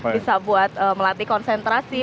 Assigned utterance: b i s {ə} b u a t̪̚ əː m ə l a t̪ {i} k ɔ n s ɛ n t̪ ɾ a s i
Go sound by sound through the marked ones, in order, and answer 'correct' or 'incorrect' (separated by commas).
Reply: incorrect, correct